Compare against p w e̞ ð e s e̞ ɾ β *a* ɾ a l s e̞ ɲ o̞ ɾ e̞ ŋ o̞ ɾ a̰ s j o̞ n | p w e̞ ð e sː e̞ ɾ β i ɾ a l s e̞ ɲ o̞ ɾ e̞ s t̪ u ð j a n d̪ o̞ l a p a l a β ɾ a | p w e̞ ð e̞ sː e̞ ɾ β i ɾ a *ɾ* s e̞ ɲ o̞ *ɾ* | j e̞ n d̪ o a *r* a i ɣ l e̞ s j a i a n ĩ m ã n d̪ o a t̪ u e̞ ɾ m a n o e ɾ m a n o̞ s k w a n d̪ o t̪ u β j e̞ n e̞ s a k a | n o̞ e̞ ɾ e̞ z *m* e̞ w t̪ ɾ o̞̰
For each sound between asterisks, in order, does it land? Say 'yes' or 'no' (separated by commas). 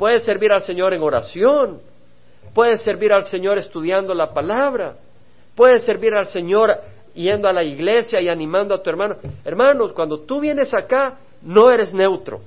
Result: no, no, yes, no, no